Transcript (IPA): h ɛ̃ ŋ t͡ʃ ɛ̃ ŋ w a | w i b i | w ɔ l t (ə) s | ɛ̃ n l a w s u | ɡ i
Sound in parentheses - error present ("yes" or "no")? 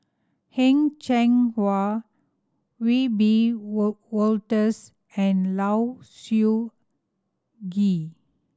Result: no